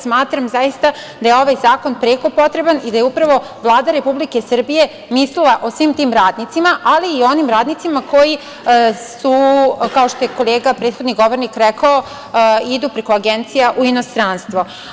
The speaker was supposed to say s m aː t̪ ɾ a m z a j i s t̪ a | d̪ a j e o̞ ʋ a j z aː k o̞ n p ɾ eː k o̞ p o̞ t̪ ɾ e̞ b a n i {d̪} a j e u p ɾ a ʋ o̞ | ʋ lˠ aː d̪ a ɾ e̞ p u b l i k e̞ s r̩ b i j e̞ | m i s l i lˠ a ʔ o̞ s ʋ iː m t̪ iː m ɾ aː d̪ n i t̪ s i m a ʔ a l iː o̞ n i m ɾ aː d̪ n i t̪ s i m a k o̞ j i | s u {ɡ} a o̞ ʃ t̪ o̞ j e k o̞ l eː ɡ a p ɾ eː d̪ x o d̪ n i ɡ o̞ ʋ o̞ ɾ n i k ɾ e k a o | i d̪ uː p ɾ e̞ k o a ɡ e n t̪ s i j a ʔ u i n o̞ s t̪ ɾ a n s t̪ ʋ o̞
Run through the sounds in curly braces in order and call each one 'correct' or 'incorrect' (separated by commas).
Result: correct, incorrect